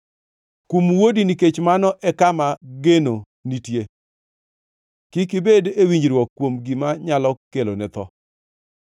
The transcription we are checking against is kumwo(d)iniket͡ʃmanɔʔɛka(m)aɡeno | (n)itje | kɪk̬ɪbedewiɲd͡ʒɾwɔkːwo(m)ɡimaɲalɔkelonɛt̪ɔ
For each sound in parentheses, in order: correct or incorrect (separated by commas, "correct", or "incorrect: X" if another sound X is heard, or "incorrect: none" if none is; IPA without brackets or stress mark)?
correct, correct, correct, correct